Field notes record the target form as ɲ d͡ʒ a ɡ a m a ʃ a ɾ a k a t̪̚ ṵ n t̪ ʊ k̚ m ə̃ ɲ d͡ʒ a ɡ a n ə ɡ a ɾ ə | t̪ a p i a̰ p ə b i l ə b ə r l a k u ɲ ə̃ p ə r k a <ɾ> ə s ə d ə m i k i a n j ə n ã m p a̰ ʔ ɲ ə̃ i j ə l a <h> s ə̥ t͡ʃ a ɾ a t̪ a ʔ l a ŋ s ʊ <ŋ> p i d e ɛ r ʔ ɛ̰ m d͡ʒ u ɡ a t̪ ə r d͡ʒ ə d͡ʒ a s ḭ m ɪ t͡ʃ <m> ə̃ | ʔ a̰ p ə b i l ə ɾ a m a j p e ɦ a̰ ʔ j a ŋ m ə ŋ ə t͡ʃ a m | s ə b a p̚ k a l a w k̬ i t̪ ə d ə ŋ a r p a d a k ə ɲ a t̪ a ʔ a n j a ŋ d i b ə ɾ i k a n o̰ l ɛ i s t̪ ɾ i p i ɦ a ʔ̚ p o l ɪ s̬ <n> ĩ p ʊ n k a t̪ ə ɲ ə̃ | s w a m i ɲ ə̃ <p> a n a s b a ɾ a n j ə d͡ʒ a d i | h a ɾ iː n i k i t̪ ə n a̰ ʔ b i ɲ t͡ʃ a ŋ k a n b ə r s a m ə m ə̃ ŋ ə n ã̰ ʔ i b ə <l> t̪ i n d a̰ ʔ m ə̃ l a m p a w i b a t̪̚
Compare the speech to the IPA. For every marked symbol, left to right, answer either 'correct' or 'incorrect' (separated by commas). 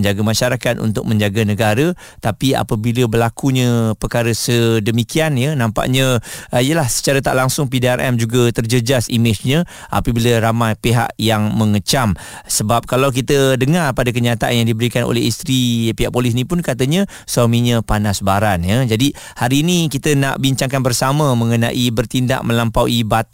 correct, correct, correct, incorrect, correct, correct, incorrect